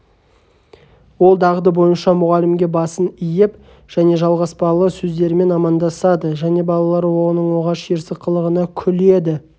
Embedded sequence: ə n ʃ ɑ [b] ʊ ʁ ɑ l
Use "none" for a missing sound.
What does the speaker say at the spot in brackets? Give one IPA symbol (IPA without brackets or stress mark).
m